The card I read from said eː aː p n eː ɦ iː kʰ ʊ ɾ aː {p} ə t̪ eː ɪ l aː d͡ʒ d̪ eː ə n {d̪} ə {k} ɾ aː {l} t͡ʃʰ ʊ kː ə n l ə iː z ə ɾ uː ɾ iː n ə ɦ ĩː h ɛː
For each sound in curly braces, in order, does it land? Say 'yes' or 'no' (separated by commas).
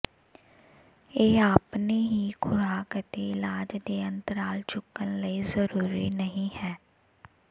no, no, no, yes